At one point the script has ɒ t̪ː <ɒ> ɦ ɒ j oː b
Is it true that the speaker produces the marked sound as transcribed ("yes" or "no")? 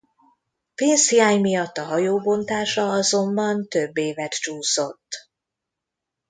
yes